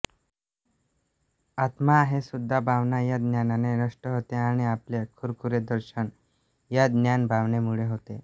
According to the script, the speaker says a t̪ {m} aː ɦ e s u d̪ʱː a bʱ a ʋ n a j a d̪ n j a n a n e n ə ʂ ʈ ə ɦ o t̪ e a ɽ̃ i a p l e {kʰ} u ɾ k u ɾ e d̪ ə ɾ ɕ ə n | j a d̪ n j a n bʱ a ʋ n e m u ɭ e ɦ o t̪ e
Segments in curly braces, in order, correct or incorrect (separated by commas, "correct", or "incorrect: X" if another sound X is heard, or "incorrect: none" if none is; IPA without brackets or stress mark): correct, correct